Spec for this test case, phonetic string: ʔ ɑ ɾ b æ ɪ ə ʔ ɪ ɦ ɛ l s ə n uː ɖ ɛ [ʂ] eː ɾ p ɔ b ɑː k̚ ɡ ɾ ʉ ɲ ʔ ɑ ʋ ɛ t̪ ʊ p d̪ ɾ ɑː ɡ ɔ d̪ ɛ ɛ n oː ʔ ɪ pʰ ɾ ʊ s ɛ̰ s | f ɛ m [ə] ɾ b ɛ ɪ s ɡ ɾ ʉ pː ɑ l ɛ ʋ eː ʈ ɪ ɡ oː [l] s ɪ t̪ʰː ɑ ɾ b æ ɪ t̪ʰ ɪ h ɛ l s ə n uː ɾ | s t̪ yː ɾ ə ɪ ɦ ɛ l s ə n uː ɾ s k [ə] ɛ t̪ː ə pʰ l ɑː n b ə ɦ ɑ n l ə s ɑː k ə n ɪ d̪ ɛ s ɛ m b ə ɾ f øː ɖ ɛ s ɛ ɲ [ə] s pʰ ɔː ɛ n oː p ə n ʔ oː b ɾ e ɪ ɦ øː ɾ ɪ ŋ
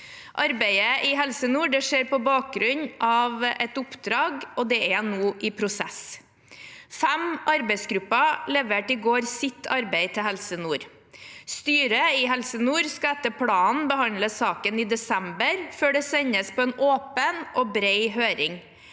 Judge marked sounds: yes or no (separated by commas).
yes, no, no, no, yes